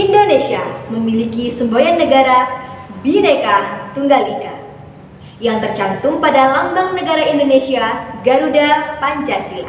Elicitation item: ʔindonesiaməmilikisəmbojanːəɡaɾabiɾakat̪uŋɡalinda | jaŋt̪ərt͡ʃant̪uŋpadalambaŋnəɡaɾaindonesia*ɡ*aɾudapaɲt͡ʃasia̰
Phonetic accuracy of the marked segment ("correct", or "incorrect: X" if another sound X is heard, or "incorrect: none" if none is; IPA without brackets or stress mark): correct